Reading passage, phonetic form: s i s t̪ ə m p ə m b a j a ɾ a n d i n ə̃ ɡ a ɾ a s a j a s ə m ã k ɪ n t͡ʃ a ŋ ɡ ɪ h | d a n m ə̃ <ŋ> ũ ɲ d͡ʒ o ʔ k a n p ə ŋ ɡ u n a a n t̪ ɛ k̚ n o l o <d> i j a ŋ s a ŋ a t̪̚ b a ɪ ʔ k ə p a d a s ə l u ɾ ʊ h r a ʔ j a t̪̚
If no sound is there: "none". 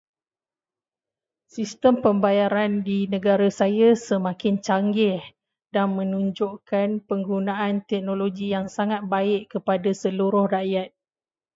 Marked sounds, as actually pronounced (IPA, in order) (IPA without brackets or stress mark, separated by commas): n, ɡ